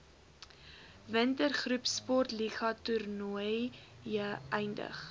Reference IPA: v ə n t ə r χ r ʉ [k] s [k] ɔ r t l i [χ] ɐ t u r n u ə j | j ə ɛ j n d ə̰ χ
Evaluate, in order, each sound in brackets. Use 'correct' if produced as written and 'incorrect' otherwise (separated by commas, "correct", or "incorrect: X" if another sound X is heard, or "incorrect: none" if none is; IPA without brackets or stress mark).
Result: incorrect: p, incorrect: p, correct